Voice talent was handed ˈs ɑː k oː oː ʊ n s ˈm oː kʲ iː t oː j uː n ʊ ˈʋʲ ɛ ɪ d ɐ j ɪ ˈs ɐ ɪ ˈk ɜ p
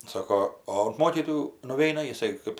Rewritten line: ˈs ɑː k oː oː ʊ n t ˈm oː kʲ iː t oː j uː n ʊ ˈʋʲ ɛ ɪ n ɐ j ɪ ˈs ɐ ɪ ˈk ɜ p